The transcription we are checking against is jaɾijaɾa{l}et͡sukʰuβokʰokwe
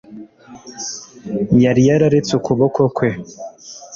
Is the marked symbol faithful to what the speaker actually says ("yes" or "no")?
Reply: no